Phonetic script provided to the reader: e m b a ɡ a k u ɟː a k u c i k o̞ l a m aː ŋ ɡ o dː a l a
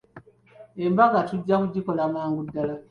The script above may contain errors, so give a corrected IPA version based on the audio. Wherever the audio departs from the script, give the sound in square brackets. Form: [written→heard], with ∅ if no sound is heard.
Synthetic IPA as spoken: e m b a ɡ a [k→t] u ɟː a k u [c→ɟ] i k o̞ l a m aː ŋ ɡ [o→u] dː a l a